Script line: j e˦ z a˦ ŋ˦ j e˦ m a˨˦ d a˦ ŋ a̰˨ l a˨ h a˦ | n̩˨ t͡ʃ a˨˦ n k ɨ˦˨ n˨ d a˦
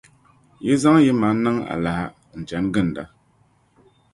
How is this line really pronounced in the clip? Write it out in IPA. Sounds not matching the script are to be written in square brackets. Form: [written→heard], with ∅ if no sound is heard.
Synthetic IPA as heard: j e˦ z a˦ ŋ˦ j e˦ m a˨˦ [d→n] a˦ ŋ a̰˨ l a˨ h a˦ | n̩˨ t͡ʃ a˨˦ n [k→ɡ] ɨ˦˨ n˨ d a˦